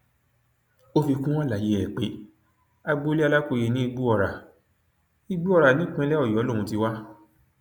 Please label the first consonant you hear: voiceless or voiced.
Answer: voiceless